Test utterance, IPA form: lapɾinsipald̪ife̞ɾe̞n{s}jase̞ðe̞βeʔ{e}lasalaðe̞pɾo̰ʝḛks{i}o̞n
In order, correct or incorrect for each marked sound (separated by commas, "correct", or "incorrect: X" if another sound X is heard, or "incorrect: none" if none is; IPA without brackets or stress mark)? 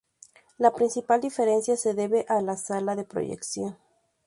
correct, incorrect: a, incorrect: j